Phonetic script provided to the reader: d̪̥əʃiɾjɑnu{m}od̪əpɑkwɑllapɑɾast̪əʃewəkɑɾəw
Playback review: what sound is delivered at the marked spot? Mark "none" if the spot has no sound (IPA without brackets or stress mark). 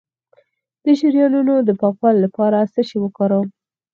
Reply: n